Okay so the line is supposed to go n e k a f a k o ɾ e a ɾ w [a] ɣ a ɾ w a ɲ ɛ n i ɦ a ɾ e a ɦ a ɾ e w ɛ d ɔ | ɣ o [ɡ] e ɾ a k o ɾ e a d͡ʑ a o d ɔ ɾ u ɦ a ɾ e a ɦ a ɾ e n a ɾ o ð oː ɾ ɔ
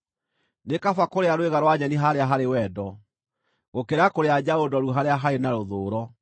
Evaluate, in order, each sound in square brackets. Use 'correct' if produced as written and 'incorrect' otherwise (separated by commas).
incorrect, incorrect